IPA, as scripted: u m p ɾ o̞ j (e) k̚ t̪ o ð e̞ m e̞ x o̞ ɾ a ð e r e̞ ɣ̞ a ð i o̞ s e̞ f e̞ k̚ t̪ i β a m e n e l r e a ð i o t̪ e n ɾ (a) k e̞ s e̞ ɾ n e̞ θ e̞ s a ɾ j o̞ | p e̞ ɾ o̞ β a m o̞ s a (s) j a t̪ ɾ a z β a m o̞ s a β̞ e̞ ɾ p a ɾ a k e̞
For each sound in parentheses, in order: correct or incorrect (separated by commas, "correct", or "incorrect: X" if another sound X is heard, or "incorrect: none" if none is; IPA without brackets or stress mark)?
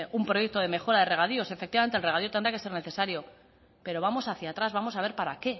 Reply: correct, correct, incorrect: θ